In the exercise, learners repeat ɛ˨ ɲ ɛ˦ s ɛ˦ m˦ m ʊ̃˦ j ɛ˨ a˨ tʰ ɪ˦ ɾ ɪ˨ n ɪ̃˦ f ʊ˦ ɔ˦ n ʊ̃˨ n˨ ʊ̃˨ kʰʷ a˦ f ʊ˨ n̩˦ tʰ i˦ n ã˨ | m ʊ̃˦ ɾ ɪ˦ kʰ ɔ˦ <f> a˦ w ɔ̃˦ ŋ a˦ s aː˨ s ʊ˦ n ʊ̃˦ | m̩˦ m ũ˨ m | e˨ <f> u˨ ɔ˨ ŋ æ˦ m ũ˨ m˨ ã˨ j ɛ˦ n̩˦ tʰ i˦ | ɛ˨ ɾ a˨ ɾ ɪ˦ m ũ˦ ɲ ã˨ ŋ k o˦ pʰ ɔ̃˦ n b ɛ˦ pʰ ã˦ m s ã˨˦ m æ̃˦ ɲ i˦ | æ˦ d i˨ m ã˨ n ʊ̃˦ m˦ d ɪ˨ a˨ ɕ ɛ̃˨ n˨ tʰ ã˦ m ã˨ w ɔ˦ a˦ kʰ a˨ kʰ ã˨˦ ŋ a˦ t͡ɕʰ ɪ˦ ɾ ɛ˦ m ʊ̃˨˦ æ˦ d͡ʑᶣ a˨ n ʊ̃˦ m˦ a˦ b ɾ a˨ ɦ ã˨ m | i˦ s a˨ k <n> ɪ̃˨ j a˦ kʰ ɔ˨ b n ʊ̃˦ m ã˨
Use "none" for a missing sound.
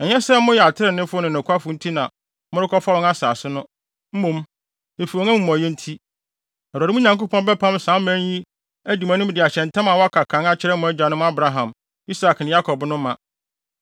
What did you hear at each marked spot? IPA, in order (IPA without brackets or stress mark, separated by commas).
f, f, n